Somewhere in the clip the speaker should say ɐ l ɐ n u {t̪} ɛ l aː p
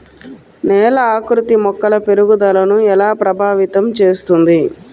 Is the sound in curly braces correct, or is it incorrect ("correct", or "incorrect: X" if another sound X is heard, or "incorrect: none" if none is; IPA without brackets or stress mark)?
incorrect: none